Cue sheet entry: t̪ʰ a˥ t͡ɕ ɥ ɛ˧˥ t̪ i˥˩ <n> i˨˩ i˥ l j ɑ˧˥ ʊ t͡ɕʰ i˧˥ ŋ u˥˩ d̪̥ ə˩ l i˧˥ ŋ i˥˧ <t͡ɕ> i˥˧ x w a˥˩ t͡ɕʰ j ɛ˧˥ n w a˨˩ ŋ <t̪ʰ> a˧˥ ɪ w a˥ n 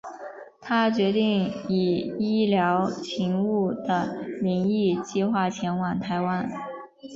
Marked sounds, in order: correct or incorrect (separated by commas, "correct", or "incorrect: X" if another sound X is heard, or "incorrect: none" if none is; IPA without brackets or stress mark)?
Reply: incorrect: ŋ, correct, correct